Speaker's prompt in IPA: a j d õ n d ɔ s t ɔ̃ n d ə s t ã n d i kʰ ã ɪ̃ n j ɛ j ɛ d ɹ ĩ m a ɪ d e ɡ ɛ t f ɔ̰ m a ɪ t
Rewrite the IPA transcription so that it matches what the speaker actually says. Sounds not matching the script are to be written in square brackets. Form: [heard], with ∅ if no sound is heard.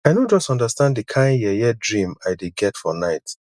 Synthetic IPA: a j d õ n [d͡ʒ] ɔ s t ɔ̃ n d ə s t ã n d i kʰ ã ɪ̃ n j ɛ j ɛ d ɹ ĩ m a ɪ d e ɡ ɛ t f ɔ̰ [n] a ɪ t